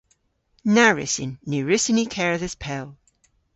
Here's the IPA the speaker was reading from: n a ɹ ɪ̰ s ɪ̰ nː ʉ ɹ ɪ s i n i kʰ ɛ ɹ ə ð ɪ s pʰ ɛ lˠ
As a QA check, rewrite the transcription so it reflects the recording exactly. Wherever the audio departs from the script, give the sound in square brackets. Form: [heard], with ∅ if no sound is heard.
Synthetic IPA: n a ɹ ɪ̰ s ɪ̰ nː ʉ ɹ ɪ s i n i kʰ ɛ ɹ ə ð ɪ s pʰ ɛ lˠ